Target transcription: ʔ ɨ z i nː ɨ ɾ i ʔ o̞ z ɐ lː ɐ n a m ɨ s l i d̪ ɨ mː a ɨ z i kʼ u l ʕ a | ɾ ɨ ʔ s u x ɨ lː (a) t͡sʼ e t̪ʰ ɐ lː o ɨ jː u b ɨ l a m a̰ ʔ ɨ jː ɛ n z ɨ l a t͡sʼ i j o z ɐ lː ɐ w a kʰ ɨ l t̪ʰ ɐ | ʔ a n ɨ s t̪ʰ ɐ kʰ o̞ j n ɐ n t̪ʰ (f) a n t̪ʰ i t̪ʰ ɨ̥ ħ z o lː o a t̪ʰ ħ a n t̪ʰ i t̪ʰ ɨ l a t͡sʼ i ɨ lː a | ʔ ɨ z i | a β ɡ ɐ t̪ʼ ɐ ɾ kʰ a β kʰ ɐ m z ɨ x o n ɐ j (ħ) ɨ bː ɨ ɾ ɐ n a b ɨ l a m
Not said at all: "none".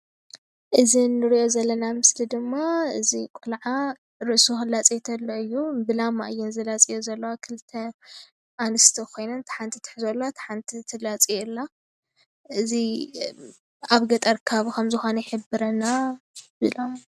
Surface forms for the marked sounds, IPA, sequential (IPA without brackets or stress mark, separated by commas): a, ħ, ħ